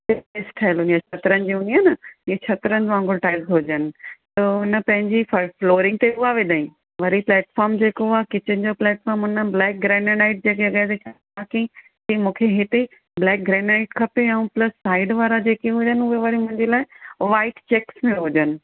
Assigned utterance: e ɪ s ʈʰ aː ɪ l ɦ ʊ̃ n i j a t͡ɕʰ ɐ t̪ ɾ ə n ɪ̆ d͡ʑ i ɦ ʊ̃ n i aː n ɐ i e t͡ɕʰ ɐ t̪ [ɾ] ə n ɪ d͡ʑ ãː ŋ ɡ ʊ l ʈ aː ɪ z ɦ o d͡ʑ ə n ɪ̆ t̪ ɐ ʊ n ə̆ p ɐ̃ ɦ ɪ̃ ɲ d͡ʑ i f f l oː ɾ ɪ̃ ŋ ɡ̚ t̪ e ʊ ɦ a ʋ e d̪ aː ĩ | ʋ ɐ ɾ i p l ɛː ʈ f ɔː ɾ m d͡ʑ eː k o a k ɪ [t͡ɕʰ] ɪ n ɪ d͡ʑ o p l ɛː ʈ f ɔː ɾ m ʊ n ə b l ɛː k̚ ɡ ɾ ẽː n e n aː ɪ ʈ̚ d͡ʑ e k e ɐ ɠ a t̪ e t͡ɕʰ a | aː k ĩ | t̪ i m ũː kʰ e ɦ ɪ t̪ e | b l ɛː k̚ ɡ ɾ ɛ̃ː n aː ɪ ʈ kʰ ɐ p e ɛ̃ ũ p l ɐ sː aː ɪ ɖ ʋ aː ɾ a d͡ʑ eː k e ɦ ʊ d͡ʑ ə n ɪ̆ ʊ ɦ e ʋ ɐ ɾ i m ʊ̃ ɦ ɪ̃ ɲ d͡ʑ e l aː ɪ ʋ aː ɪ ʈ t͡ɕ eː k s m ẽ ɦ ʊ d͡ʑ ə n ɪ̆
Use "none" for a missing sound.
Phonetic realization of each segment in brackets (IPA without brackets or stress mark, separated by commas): ɾ, t͡ɕ